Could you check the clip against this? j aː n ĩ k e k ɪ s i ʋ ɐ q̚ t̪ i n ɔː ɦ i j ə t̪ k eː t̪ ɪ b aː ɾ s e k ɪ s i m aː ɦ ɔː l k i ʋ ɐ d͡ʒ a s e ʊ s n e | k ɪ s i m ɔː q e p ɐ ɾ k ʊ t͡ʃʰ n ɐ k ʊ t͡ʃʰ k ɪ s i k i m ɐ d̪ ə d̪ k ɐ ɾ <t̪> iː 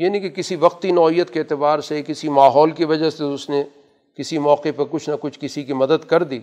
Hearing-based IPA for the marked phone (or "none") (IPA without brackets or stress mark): d̪